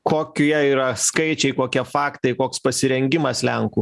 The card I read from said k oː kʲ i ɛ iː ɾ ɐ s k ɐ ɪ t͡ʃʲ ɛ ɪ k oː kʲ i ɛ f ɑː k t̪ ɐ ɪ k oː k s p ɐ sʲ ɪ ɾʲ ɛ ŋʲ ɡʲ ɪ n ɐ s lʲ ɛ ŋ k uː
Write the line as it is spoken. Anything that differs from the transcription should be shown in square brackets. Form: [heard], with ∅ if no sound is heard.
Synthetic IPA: k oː kʲ i ɛ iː ɾ ɐ s k ɐ ɪ t͡ʃʲ ɛ ɪ k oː kʲ i ɛ f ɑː k t̪ ɐ ɪ k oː k s p ɐ sʲ ɪ ɾʲ ɛ ŋʲ ɡʲ ɪ [m] ɐ s lʲ ɛ ŋ k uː